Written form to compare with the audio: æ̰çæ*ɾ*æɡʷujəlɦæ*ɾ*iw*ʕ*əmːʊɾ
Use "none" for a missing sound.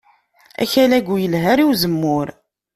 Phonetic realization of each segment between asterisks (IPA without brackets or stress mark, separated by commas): l, ɾ, z